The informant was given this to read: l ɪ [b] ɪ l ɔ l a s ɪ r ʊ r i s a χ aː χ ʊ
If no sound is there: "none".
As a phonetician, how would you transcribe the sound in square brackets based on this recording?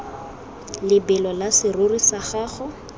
b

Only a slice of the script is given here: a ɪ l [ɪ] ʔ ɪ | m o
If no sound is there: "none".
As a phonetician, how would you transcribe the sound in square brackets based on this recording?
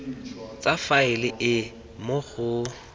ɪ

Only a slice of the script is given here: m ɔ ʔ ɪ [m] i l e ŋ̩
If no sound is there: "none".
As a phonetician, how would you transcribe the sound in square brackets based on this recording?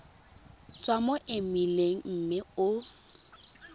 m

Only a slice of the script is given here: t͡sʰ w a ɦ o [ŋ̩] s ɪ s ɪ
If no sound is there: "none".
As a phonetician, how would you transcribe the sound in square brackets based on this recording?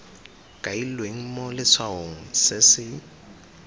ŋ̩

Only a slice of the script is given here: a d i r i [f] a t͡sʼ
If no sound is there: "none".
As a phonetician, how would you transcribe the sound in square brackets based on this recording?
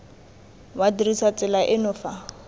s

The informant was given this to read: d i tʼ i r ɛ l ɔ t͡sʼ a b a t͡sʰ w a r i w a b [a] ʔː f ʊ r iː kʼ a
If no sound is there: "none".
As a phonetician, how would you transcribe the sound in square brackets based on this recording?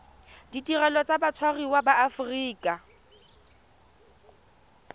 a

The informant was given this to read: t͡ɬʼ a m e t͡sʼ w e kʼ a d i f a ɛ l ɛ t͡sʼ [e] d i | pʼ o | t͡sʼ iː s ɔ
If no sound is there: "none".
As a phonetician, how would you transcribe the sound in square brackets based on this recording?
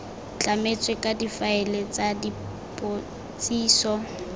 a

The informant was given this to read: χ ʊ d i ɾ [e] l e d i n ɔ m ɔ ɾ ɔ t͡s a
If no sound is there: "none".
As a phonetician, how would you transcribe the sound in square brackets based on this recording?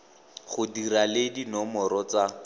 a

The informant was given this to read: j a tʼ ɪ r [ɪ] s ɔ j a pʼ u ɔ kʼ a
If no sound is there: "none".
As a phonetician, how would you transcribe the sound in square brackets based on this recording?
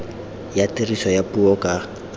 i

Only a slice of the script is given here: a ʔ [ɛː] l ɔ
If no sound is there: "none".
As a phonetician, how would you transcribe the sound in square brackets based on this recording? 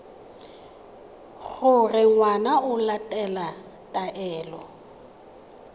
ɛː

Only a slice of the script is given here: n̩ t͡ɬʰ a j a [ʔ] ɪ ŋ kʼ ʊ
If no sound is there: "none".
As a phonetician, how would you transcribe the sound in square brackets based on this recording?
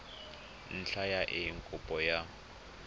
ʔ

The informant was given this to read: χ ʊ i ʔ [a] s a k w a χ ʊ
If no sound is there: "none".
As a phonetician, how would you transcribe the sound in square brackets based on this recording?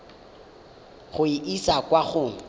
i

